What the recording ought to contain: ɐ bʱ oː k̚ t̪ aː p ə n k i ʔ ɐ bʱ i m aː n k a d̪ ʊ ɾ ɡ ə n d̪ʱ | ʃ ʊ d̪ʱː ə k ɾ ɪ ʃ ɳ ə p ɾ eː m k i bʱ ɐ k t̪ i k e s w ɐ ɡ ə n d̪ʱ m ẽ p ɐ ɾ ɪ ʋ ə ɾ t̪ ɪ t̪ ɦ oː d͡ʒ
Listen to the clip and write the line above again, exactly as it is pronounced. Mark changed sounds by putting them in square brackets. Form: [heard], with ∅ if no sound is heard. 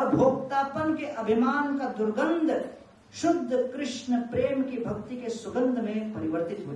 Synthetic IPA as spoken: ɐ bʱ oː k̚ t̪ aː p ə n k [e] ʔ ɐ bʱ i m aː n k a d̪ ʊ ɾ ɡ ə n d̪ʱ | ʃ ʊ d̪ʱː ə k ɾ ɪ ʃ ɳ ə p ɾ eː m k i bʱ ɐ k t̪ i k e s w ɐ ɡ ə n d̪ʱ m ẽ p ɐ ɾ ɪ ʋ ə ɾ t̪ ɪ t̪ ɦ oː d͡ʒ